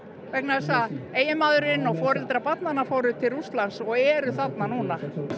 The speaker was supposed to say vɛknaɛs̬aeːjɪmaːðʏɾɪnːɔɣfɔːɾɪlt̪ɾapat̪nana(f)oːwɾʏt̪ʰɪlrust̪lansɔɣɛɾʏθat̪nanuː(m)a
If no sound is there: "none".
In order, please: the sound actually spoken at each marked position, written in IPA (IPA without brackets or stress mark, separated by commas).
f, n